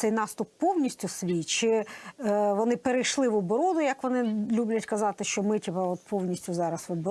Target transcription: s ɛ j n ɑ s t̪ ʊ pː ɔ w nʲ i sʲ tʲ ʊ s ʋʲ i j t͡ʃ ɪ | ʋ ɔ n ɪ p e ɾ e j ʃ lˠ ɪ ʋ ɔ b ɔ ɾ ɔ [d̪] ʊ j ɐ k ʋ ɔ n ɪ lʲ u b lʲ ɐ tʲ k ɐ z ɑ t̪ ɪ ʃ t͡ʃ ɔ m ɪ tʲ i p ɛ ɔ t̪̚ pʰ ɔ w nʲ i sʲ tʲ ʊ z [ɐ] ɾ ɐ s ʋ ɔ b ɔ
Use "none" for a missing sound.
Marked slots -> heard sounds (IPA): d̪, ɑ

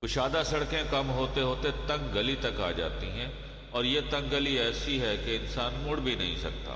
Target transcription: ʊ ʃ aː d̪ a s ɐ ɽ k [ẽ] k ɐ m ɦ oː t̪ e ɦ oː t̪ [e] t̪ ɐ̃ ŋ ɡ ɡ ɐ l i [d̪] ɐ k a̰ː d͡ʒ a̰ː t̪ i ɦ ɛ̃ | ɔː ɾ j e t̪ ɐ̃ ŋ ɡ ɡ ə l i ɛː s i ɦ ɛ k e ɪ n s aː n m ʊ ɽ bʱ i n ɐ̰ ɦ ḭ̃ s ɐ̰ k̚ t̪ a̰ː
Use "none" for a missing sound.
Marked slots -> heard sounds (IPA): ẽ, e, t̪

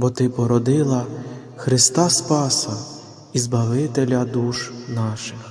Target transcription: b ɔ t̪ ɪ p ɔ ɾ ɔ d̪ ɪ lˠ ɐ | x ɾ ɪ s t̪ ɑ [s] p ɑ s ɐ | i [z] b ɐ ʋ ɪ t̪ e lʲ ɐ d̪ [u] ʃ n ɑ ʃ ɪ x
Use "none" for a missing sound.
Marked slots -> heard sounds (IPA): s, z, u

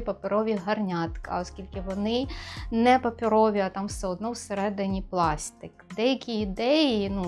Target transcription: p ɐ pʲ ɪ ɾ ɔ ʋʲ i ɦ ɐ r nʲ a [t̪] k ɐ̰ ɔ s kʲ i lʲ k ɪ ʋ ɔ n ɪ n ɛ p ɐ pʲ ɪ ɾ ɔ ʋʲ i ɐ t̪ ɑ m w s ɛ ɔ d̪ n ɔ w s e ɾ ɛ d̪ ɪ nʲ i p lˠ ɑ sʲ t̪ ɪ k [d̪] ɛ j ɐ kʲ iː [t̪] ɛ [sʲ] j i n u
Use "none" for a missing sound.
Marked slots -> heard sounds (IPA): t̪, d̪, d̪, none

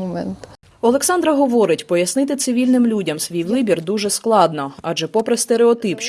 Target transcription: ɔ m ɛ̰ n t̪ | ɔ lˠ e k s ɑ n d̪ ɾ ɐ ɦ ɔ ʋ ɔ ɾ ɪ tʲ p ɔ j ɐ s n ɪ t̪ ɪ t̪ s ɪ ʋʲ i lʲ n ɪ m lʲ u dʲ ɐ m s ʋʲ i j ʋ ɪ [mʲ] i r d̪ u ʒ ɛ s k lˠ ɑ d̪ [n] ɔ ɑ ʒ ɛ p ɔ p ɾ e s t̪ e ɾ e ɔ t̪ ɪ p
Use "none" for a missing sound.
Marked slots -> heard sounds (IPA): bʲ, n

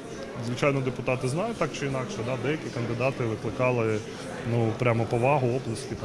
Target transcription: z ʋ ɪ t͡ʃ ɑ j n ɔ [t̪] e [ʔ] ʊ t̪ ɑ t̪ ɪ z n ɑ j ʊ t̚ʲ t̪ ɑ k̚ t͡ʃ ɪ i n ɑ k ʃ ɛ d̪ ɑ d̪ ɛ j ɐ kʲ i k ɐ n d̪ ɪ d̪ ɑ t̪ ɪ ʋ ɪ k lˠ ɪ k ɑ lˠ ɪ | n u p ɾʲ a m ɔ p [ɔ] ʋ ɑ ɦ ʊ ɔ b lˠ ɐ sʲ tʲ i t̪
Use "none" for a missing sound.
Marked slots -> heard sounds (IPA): d̪, p, ɔ

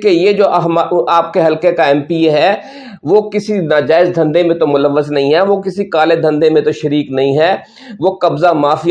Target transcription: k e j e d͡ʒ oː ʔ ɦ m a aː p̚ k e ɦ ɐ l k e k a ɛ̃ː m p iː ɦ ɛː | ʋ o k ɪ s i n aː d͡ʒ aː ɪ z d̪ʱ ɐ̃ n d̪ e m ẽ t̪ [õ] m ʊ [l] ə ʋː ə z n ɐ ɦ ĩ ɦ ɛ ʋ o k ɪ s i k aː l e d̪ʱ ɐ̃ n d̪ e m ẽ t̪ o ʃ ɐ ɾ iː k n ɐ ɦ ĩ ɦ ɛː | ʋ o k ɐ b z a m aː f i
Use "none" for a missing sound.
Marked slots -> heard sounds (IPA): o, l

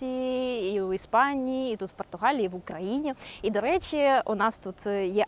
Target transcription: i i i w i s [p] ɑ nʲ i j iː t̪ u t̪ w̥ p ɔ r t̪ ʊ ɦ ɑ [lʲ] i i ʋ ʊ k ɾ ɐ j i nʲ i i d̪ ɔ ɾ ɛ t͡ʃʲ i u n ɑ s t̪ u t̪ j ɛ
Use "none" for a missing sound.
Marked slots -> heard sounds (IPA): p, lʲ

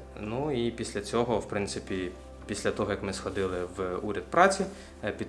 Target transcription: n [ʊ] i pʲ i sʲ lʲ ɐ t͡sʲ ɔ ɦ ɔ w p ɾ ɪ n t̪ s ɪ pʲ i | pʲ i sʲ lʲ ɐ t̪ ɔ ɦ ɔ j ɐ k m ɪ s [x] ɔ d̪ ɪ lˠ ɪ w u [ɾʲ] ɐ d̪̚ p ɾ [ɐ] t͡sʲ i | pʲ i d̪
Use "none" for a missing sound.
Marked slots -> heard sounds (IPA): u, x, ɾʲ, ɑ

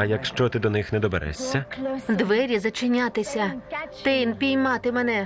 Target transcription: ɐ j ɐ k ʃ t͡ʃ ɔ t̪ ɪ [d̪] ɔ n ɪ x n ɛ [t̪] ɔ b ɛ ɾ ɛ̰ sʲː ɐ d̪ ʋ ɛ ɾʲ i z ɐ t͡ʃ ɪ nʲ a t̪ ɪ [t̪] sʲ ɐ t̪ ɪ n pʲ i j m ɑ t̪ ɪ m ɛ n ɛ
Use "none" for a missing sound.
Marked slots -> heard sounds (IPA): d̪, d̪, none

